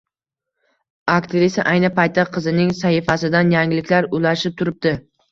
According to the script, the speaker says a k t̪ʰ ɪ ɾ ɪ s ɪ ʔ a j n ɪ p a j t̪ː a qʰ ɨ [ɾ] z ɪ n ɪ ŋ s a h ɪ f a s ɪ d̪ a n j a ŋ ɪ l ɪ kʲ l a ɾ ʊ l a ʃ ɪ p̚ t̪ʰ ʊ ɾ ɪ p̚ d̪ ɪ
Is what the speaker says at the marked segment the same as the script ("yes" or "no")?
no